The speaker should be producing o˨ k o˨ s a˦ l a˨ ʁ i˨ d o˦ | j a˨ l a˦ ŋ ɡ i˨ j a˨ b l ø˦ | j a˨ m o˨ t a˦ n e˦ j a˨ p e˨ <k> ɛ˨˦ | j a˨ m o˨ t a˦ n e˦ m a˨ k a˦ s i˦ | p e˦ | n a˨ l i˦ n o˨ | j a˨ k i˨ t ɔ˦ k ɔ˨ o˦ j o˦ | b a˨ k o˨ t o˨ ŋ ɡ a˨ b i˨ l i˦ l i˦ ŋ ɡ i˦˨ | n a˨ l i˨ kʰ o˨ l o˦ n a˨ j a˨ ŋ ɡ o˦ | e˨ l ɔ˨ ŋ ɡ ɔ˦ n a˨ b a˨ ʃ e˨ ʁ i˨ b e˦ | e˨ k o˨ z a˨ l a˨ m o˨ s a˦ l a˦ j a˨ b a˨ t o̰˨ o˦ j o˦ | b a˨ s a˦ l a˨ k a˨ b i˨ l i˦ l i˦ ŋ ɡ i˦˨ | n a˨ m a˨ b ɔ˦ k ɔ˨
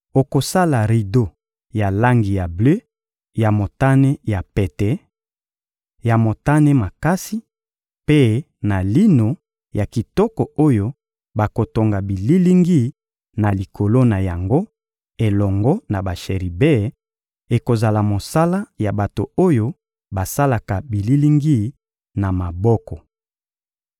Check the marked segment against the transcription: incorrect: t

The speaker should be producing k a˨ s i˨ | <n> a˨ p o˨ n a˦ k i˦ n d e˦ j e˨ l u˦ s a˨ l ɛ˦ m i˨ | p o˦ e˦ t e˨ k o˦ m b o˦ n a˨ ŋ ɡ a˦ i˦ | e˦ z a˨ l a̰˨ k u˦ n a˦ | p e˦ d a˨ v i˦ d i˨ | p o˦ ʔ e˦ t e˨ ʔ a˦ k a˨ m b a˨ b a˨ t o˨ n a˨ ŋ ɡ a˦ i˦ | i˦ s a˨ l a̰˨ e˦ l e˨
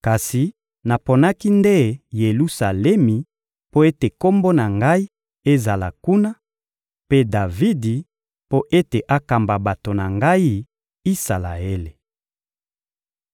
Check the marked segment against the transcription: correct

